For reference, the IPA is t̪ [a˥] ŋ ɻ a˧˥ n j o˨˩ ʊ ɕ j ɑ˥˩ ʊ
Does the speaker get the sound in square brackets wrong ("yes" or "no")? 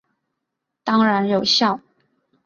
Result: yes